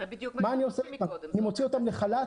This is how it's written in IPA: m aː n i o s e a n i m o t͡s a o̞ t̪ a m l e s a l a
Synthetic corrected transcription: m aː n i o s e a n i m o t͡s i o̞ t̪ a m l e χ a l a